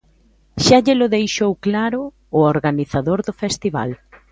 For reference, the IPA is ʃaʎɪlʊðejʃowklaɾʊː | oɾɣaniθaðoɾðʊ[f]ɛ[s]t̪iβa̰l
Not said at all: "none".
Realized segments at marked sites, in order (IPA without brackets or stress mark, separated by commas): f, s